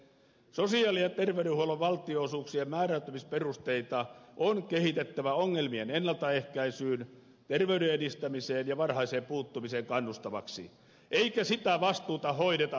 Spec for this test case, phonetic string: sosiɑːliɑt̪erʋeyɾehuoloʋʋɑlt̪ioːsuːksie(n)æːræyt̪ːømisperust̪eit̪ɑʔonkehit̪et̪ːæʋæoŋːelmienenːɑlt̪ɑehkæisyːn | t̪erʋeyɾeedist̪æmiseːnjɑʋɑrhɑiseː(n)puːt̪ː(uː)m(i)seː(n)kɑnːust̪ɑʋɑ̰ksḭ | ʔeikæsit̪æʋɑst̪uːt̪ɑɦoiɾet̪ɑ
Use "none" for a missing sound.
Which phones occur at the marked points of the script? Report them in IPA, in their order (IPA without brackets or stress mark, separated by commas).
m, m, u, i, ŋ